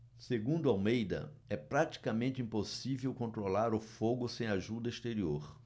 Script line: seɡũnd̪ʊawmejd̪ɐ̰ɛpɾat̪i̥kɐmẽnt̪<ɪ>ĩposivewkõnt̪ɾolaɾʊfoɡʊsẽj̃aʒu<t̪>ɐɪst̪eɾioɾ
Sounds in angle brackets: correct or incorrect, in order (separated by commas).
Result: correct, incorrect